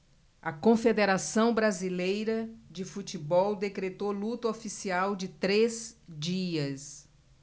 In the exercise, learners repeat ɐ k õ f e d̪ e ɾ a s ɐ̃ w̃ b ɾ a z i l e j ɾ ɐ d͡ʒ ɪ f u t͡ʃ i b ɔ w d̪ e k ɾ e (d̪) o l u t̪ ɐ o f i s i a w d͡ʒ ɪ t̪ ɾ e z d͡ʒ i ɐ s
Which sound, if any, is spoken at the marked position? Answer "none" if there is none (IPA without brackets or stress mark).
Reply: t̪